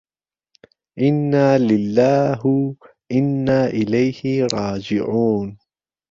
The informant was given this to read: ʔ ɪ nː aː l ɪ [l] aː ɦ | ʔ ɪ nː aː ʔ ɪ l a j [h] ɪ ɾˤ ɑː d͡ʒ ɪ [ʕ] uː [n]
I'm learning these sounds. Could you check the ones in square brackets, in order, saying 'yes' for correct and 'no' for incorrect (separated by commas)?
no, yes, yes, yes